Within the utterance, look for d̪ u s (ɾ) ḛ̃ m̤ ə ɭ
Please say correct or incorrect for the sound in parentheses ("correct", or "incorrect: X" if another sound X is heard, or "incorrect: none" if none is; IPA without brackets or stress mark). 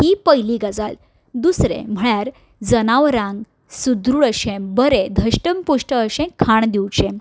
correct